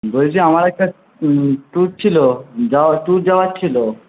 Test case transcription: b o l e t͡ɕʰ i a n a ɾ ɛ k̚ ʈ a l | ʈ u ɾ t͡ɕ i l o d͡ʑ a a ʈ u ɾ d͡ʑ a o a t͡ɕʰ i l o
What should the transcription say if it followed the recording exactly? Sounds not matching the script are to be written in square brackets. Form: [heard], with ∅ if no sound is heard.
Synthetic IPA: b o l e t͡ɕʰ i a [m] a ɾ ɛ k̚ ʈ a [∅] | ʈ u ɾ [t͡ɕʰ] i l o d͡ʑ a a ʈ u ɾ d͡ʑ a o a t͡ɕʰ i l o